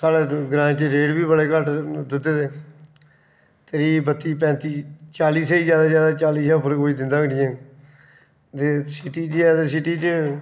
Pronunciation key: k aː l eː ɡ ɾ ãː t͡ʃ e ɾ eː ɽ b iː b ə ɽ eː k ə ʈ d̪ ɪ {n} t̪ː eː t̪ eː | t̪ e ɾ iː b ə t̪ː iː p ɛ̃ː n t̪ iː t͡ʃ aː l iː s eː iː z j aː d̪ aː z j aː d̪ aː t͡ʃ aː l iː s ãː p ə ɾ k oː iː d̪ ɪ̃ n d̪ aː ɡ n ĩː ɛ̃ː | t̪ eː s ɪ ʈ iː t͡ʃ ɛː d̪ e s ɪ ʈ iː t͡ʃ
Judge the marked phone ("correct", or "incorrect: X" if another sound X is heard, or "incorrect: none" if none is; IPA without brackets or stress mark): incorrect: none